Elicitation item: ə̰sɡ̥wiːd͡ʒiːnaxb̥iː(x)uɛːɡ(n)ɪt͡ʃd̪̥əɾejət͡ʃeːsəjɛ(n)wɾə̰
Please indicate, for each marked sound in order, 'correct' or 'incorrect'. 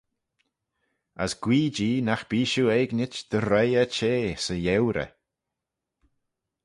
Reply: incorrect, correct, incorrect

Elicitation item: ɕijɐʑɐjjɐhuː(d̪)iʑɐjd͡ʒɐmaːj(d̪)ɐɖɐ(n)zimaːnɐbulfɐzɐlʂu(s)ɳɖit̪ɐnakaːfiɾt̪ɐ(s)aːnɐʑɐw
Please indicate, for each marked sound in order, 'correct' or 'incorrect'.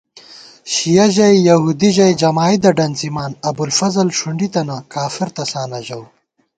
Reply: correct, correct, correct, incorrect, correct

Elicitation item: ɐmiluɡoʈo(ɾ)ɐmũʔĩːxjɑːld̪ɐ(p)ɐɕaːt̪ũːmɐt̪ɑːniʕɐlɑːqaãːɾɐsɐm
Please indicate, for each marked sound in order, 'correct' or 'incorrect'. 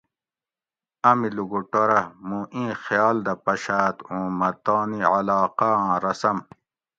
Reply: correct, correct

